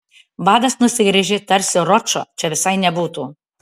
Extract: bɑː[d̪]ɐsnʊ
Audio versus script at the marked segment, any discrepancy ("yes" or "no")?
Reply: no